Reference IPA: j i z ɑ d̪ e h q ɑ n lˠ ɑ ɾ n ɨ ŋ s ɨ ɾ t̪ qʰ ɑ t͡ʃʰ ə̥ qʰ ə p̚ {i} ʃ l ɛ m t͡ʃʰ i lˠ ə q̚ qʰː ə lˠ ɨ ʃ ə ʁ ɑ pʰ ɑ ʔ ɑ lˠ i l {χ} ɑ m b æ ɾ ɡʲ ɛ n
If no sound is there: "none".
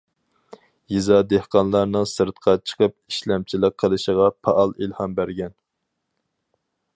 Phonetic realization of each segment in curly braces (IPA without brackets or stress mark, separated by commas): i, h